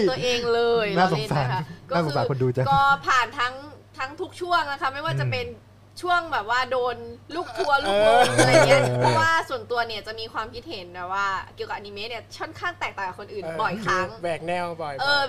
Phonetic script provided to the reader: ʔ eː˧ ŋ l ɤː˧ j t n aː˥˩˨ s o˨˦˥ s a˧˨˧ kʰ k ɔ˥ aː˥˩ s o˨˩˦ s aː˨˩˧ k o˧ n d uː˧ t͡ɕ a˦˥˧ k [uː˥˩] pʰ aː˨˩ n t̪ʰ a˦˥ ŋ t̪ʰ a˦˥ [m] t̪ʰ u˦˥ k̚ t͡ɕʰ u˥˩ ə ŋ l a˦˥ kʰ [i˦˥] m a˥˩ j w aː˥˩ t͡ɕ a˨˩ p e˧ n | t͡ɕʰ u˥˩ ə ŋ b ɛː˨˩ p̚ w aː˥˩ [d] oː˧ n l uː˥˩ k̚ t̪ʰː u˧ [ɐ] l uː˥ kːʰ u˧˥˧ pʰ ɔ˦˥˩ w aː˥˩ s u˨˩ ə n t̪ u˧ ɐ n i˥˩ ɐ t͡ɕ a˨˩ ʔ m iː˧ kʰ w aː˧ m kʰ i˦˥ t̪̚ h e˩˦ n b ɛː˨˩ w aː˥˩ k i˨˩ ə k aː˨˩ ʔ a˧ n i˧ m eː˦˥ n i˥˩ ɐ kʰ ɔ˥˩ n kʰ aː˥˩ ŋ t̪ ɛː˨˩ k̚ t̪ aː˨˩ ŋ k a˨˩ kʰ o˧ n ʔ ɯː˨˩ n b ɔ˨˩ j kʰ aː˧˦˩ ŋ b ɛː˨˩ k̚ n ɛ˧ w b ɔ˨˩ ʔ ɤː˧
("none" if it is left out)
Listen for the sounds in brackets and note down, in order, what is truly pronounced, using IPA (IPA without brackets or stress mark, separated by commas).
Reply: ɔː˥˩, ŋ, a˦˥, d, ɐ